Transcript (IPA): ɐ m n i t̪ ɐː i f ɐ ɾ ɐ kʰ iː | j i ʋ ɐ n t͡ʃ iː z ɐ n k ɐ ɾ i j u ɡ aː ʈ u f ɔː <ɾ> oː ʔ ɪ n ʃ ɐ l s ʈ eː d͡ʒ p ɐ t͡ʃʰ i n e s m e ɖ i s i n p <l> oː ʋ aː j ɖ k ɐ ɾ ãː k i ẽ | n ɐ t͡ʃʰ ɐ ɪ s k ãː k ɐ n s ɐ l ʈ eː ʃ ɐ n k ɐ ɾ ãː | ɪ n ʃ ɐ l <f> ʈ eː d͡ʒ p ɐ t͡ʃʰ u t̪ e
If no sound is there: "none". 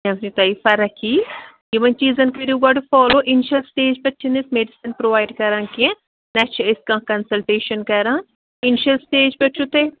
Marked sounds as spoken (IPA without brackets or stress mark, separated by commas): l, ɾ, s